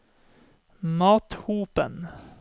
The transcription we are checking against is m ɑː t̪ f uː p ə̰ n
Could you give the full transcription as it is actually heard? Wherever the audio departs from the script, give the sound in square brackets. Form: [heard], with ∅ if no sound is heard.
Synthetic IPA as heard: m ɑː t̪ [h] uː p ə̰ n